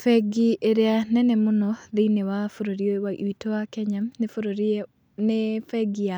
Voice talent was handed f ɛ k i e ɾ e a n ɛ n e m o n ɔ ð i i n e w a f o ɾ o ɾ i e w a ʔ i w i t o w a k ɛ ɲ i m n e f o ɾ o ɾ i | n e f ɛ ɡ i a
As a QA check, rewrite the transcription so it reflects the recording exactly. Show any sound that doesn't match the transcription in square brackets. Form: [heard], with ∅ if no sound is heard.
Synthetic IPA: f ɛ [ɡ] i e ɾ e a n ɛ n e m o n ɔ ð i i n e w a f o ɾ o ɾ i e w a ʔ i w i t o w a k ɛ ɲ [a] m n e f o ɾ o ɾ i | n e f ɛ ɡ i a